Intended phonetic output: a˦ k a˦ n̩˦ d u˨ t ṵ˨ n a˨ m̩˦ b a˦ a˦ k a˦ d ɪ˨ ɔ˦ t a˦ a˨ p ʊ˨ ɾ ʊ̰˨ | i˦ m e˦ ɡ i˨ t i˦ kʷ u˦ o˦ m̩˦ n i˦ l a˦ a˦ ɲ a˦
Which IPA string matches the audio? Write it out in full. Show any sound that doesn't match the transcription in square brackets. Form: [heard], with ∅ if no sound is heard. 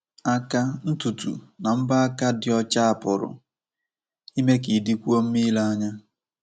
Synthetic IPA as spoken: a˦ k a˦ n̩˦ [t] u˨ t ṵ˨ n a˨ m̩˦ b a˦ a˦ k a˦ d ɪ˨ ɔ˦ [t͡ʃ] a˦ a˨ p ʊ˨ ɾ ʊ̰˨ | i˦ m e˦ [k] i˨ [d] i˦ kʷ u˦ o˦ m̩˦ [m] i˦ l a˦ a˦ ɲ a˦

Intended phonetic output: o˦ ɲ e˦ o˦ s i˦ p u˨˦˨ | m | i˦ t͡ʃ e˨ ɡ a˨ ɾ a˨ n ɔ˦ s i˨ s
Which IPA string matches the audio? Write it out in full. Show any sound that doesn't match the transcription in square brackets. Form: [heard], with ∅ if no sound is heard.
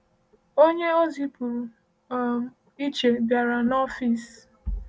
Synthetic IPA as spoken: o˦ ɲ e˦ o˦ [z] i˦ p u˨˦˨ | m | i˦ t͡ʃ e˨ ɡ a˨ ɾ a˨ n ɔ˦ [f] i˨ s

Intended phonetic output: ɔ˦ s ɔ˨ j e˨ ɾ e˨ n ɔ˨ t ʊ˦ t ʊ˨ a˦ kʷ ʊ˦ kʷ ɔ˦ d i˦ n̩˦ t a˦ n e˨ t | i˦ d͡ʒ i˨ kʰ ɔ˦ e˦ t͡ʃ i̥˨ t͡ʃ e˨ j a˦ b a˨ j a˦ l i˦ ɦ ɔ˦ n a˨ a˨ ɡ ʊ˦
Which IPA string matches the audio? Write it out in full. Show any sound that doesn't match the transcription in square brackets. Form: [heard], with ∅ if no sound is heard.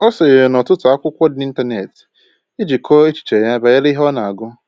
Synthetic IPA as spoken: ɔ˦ s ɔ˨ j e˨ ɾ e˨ n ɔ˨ t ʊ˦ t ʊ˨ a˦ kʷ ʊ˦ kʷ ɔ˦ d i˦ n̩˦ t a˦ n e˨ t | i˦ d͡ʒ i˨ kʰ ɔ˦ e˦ t͡ʃ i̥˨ t͡ʃ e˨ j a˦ b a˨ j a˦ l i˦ ɦ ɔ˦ n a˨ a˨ ɡ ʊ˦

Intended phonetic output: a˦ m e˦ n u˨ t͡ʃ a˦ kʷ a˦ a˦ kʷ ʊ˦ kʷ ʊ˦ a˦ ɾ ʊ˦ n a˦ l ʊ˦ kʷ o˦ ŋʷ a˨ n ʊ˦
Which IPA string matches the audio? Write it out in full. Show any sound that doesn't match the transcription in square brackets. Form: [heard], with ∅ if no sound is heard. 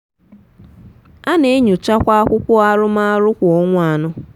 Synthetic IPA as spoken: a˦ [n] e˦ [ɲ] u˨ t͡ʃ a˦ kʷ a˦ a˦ kʷ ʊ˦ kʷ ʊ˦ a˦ ɾ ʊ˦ [m] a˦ [ɾ] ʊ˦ kʷ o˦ ŋʷ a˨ n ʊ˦

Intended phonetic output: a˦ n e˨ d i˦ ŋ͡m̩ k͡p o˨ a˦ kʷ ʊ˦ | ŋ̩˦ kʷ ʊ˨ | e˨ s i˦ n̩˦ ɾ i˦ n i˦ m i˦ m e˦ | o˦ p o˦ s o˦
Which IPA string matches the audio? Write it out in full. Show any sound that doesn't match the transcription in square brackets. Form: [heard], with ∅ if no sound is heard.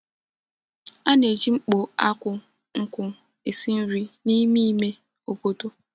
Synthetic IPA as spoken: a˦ n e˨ [d͡ʒ] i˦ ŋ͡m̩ k͡p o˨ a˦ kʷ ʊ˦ | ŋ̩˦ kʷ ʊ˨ | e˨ s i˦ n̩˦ ɾ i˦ n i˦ m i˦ m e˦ | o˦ p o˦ [t] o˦

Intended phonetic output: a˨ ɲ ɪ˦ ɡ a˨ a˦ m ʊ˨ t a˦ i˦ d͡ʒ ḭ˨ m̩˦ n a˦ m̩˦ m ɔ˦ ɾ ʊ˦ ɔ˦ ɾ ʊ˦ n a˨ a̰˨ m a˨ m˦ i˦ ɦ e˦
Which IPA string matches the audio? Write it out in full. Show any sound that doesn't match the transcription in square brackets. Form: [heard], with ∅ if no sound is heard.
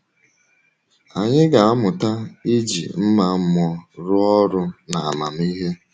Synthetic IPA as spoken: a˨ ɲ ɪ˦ ɡ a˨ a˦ m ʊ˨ t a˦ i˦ d͡ʒ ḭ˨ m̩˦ [m] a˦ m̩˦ m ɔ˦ ɾ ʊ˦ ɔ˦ ɾ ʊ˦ n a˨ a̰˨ m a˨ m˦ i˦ ɦ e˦

